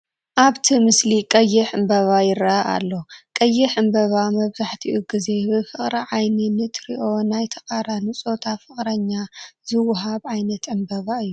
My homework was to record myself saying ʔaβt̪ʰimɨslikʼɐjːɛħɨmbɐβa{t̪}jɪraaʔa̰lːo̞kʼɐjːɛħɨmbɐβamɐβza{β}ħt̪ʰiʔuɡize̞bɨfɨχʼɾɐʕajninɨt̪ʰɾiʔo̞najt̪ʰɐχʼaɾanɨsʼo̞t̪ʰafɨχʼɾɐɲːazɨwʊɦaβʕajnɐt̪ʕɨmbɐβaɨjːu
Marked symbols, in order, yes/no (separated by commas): no, no